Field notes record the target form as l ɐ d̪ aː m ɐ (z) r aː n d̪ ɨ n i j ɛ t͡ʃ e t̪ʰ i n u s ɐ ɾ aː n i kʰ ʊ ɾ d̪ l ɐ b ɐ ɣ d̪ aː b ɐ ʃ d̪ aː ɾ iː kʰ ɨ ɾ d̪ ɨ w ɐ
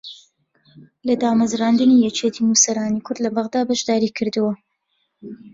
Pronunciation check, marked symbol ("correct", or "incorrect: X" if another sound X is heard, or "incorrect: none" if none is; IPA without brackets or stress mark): correct